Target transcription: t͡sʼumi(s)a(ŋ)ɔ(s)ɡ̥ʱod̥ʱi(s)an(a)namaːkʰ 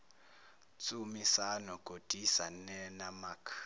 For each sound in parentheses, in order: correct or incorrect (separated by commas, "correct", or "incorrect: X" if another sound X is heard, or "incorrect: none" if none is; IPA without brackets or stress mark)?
correct, incorrect: n, incorrect: none, correct, incorrect: ɛ